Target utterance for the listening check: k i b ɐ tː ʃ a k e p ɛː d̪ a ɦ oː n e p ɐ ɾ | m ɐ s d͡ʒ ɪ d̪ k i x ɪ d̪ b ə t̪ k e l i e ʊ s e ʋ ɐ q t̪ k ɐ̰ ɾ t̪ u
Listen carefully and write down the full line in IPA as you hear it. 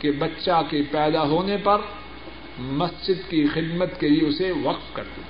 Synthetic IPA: k e b ɐ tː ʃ a k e p ɛː d̪ a ɦ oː n e p ɐ ɾ | m ɐ s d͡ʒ ɪ d̪ k i x ɪ d̪ m ə t̪ k e l i e ʊ s e ʋ ɐ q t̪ k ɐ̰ ɾ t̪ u